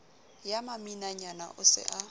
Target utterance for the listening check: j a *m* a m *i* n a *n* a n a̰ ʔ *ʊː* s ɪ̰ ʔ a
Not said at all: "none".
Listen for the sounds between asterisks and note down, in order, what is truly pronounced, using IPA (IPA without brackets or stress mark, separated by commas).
m, i, ɲ, ʊ